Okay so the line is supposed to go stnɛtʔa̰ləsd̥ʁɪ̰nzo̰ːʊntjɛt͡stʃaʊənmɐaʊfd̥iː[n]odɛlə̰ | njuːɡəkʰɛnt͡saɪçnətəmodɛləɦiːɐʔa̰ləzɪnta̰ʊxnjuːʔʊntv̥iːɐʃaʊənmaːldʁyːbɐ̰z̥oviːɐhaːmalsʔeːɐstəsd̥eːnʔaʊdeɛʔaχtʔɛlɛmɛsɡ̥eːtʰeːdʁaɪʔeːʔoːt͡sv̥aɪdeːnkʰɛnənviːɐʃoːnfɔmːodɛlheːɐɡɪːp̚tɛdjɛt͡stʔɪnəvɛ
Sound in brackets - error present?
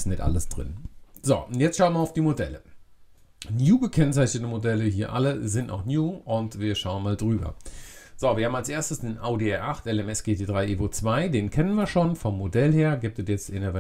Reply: yes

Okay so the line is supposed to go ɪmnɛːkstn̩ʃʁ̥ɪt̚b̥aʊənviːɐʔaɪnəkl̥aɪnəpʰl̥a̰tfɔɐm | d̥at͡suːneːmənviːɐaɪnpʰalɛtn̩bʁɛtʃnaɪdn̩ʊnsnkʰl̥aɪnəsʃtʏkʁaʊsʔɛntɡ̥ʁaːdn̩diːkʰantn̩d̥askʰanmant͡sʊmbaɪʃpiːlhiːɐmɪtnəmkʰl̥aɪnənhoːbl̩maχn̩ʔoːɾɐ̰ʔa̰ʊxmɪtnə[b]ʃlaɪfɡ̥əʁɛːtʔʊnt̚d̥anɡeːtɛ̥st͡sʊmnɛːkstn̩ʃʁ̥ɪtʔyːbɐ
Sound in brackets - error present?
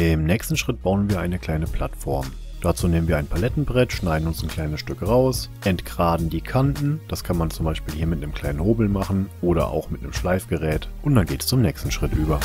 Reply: yes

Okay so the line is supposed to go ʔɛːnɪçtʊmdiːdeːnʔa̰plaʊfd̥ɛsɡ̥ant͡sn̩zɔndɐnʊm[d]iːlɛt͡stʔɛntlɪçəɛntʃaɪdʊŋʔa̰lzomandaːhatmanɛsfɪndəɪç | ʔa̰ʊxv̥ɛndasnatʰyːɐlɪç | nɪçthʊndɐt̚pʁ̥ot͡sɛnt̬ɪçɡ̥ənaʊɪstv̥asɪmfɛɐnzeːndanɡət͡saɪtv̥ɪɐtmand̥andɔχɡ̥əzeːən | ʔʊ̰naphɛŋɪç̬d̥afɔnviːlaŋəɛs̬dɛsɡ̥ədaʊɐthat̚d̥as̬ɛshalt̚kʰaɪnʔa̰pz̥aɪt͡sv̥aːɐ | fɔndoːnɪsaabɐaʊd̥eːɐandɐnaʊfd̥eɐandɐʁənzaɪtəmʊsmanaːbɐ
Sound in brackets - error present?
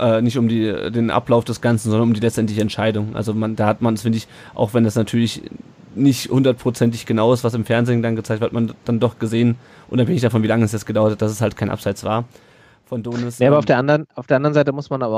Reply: no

